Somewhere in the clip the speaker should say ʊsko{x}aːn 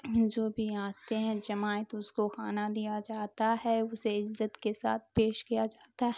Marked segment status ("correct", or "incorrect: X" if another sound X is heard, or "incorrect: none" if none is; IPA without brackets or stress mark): correct